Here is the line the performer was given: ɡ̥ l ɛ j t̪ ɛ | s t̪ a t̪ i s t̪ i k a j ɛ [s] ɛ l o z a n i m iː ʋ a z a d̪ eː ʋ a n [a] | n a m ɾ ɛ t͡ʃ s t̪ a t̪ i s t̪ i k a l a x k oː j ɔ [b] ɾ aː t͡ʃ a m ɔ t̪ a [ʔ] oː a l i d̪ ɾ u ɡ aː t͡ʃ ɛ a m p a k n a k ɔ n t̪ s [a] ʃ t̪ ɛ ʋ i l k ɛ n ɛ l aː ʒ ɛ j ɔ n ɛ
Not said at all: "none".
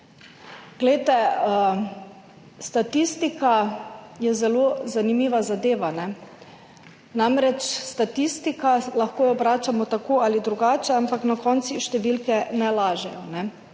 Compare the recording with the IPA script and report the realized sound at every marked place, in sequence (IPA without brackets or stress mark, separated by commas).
z, ɛ, b, k, i